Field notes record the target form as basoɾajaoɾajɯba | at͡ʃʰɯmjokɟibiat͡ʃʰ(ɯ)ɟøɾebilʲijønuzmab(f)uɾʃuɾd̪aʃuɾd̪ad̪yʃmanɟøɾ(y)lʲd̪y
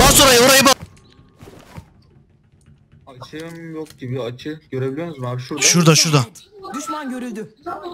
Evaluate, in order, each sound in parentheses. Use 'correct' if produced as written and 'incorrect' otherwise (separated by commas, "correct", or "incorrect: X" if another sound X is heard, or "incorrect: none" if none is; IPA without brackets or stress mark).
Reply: correct, incorrect: ʃ, correct